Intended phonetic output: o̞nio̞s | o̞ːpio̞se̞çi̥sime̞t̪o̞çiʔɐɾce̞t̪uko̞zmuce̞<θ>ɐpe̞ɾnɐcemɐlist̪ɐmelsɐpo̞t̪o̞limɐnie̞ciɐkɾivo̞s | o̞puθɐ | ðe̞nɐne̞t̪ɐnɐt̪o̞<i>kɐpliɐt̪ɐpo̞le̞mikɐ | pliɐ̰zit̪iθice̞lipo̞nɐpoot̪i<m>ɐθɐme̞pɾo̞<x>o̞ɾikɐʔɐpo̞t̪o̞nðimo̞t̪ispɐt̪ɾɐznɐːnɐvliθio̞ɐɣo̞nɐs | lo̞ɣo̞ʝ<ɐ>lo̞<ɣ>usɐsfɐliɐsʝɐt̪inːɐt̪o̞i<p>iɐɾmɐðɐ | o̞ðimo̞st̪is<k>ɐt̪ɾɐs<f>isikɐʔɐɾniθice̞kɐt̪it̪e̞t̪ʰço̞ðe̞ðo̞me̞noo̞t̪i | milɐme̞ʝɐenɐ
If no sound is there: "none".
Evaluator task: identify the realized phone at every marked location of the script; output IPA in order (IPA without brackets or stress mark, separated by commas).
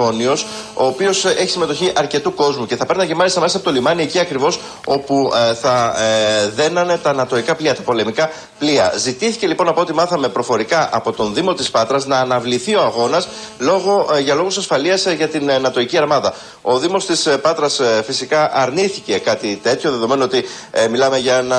θ, i, m, f, ɐ, ɣ, c, p, f